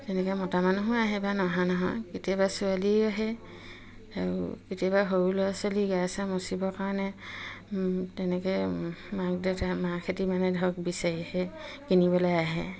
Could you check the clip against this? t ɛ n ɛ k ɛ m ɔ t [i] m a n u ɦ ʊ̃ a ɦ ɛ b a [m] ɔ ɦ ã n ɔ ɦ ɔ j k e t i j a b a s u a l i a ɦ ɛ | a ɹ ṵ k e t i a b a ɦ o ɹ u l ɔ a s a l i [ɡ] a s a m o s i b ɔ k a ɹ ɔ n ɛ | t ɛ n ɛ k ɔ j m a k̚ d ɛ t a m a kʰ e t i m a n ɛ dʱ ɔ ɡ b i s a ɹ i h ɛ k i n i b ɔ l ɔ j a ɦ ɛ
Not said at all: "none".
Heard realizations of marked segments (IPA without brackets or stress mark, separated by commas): a, n, ɡ